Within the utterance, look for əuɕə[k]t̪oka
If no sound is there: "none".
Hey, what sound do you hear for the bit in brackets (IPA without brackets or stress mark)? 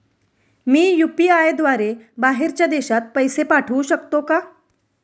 k